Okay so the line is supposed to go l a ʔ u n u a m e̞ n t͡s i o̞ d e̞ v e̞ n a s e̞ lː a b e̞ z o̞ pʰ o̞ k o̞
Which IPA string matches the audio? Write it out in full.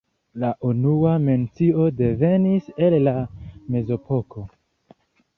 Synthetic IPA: l a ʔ u n u a m e̞ n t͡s i o̞ d e̞ v e̞ n i s e̞ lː a m e̞ z o̞ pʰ o̞ k o̞

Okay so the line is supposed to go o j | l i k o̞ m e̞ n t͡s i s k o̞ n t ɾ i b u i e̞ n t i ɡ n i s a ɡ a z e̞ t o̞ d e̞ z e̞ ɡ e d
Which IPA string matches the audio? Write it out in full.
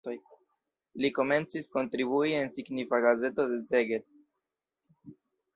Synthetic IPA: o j | l i k o̞ m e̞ n t͡s i s k o̞ n t ɾ i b u i e̞ n s i ɡ n i f a ɡ a z e̞ t o̞ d e̞ z e̞ ɡ e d

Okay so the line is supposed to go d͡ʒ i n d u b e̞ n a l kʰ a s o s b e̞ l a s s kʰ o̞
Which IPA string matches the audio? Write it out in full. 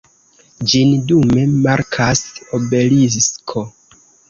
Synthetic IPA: d͡ʒ i n d u m e̞ m a ɾ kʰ a s o b e̞ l i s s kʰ o̞

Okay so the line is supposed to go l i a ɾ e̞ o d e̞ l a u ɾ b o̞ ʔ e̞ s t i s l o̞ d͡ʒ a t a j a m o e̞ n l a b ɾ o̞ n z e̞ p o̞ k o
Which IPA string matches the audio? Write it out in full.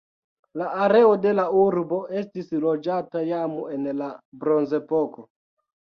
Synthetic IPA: l a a ɾ e̞ o d e̞ l a u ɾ b o̞ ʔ e̞ s t i s l o̞ d͡ʒ a t a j a m o e̞ n l a b ɾ o̞ n z e̞ p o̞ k o

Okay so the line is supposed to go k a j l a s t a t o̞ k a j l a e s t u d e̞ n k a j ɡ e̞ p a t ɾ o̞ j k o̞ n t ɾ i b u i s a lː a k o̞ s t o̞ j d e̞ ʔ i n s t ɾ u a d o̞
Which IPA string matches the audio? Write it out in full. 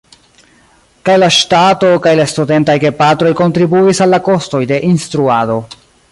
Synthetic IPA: k a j l a ʃ t a t o̞ k a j l a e s t u d e̞ n t a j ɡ e̞ p a t ɾ o̞ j k o̞ n t ɾ i b u i s a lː a k o̞ s t o̞ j d e̞ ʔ i n s t ɾ u a d o̞

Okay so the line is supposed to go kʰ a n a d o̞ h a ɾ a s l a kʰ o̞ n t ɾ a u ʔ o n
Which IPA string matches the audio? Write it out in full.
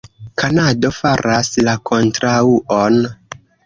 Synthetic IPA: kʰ a n a d o̞ f a ɾ a s l a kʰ o̞ n t ɾ a u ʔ o n

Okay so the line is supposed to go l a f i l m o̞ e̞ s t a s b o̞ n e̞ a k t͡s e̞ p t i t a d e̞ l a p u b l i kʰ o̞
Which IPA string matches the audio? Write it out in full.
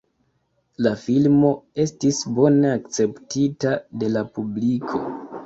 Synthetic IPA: l a f i l m o̞ e̞ s t i s b o̞ n e̞ a k t͡s e̞ p t i t a d e̞ l a p u b l i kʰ o̞

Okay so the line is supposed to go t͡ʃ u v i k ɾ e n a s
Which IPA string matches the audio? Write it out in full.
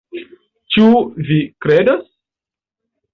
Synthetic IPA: t͡ʃ u v i k ɾ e d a s

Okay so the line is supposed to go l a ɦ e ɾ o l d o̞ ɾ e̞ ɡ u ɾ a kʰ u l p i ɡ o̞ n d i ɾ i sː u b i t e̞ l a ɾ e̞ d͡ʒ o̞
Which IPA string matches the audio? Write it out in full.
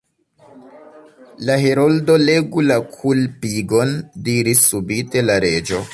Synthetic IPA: l a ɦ e ɾ o l d o̞ l e̞ ɡ u l a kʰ u l p i ɡ o̞ n d i ɾ i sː u b i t e̞ l a ɾ e̞ d͡ʒ o̞

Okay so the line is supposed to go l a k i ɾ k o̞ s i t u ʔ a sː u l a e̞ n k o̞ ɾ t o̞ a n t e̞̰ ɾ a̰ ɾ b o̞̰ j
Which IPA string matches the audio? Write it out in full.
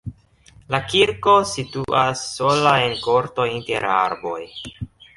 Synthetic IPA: l a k i ɾ k o̞ s i t u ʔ a sː o l a e̞ n k o̞ ɾ t o̞ i n t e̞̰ ɾ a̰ ɾ b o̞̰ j

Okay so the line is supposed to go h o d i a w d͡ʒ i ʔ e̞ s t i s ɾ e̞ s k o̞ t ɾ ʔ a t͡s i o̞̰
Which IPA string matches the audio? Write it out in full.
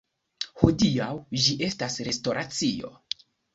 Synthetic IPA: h o d i a w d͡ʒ i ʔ e̞ s t a s ɾ e̞ s t o̞ ɾ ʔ a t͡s i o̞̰

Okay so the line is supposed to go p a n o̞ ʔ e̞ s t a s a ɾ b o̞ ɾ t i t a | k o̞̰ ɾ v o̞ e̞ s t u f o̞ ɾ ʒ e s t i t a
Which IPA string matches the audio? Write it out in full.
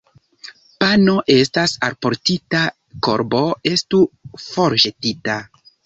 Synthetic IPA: p a n o̞ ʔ e̞ s t a s a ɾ p o̞ ɾ t i t a | k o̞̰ ɾ b o̞ e̞ s t u f o̞ ɾ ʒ e t i t a

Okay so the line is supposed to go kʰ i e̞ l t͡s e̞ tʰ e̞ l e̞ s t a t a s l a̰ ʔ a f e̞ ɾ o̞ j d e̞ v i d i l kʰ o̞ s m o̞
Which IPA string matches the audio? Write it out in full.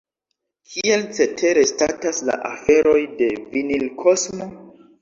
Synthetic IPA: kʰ i e̞ l t͡s e̞ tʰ e̞ ɾ e̞ s t a t a s l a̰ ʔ a f e̞ ɾ o̞ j d e̞ v i n i l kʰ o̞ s m o̞

